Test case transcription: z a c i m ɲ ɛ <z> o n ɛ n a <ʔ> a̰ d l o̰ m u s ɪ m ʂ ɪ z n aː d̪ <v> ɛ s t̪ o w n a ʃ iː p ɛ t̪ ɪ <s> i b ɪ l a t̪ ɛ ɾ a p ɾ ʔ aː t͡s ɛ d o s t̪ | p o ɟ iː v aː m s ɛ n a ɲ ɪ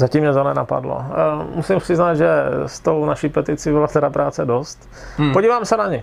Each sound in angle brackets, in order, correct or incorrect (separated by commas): correct, incorrect, incorrect, incorrect